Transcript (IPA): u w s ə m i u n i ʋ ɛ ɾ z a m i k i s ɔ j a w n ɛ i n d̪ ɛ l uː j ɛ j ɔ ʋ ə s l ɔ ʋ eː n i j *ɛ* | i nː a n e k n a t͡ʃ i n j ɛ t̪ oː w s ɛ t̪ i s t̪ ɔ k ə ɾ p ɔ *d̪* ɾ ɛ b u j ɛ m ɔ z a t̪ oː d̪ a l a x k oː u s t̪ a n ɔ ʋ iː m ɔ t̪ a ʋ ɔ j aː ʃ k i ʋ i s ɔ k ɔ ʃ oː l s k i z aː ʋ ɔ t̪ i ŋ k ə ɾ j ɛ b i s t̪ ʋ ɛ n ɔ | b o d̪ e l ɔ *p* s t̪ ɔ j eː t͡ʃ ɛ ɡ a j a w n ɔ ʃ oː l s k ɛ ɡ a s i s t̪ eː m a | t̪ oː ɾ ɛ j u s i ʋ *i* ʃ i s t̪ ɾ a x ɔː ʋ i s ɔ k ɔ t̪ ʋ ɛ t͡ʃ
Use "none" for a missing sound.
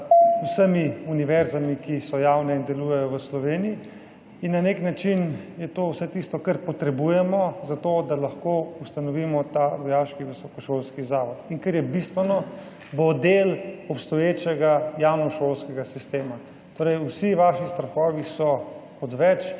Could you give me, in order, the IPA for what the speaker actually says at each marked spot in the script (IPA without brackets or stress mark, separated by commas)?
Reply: i, t̪, p, a